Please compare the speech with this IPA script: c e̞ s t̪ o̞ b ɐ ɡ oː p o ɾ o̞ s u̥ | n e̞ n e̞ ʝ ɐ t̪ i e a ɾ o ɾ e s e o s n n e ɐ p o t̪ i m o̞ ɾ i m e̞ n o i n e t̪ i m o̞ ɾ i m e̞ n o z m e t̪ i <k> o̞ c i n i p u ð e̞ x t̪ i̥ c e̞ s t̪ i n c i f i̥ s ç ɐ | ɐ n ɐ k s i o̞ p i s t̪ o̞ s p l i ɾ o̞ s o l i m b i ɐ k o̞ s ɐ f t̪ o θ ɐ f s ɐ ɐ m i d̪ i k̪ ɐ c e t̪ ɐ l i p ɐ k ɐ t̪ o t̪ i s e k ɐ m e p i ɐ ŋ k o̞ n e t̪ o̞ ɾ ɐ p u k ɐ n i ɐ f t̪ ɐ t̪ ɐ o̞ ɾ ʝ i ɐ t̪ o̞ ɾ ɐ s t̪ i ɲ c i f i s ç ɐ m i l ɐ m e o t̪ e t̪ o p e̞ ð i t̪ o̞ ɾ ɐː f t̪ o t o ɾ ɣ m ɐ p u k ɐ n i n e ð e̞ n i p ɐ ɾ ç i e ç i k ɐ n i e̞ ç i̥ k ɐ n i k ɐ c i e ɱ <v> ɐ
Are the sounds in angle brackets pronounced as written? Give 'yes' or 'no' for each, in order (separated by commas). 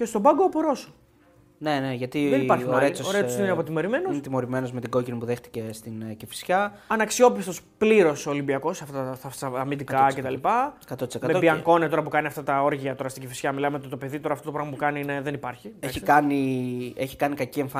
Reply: no, no